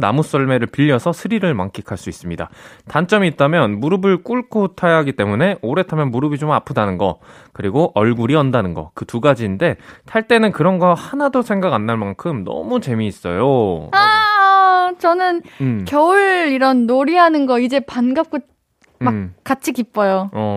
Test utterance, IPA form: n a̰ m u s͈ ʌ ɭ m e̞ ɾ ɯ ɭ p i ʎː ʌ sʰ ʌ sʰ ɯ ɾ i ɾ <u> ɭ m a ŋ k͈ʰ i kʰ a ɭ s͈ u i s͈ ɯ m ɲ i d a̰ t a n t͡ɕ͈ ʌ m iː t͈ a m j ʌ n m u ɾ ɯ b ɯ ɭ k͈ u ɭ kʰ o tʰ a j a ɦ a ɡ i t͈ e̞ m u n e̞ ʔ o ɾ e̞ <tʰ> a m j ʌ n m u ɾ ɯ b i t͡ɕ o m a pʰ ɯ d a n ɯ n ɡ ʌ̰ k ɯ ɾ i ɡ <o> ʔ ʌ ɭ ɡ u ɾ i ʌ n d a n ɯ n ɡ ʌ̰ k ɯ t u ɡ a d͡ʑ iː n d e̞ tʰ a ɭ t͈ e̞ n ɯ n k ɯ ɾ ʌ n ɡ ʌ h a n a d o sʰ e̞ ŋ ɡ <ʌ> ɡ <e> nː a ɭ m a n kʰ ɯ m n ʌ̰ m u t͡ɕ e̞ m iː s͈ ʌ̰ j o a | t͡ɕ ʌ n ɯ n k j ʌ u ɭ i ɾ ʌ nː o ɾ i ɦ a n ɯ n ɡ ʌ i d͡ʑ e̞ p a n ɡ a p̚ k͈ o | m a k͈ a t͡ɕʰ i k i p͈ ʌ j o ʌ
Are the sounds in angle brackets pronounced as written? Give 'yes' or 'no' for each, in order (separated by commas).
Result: no, yes, yes, no, no